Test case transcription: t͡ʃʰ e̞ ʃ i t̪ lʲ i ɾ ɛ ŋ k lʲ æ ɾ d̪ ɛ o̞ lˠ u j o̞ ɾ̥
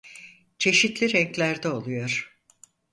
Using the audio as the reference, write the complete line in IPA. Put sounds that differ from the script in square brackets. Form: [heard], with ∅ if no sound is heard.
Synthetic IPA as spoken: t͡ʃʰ e̞ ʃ i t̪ lʲ i ɾ ɛ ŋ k lʲ æ ɾ d̪ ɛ o̞ lˠ u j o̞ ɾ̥